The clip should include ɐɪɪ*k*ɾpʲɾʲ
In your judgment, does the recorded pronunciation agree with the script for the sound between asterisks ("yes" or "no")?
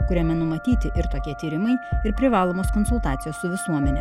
no